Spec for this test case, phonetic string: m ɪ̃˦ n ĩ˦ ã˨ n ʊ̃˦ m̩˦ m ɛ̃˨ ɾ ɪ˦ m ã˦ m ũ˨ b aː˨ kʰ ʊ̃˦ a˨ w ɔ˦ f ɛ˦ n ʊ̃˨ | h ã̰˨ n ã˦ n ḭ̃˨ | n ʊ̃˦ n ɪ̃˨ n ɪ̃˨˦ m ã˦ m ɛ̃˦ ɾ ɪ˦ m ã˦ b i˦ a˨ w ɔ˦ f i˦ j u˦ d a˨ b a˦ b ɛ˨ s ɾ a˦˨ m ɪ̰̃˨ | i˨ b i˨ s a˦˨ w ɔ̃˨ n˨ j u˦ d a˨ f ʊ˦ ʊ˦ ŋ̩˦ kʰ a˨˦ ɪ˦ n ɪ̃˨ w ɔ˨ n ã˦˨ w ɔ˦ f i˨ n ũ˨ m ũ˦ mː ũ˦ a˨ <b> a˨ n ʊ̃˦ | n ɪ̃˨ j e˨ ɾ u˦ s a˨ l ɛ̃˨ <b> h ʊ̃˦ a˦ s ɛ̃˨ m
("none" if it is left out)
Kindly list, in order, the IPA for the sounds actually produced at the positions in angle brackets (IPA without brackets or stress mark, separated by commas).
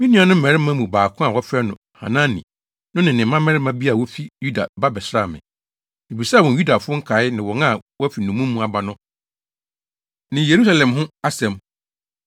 b, m